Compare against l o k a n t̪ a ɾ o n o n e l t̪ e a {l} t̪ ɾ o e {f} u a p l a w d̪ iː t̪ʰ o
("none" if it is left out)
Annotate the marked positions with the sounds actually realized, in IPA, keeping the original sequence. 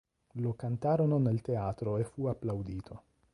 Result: none, f

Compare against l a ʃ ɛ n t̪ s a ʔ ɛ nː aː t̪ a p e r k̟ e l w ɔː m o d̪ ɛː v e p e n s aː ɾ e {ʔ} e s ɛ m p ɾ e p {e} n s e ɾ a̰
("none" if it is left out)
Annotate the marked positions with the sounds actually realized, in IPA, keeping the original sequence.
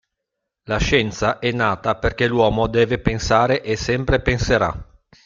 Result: ʔ, e

